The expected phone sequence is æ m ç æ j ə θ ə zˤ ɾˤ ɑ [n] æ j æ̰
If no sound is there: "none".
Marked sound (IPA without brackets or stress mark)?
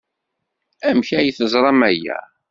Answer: m